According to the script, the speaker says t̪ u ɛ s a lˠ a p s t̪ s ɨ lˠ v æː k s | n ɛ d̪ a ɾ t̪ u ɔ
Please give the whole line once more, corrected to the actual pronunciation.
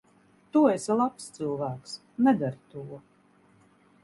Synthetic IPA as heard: t̪ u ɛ s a lˠ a p s t̪ s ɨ lˠ v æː k s | n ɛ d̪ a ɾ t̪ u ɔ